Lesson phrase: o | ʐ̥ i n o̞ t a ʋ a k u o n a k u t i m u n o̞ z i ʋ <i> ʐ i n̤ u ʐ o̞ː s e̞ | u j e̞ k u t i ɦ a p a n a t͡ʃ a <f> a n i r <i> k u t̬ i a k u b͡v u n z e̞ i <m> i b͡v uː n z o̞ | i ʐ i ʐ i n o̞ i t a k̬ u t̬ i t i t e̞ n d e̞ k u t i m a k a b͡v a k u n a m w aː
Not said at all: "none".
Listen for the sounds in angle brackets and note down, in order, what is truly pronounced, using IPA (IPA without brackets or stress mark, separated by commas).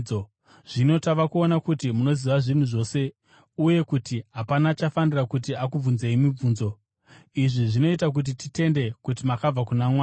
a, f, a, m